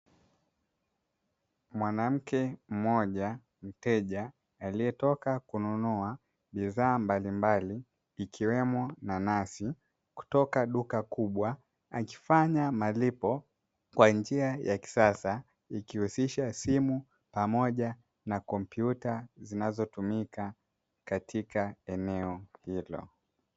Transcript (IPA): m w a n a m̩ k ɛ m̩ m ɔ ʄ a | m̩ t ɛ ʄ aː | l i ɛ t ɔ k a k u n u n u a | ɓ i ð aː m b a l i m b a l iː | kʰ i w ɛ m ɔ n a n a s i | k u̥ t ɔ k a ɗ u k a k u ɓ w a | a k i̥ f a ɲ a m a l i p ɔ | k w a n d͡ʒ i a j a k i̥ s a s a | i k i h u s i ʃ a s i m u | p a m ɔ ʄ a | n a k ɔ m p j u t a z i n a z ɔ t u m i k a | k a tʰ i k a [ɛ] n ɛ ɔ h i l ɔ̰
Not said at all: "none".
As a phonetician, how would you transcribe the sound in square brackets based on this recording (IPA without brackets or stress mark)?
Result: ɛ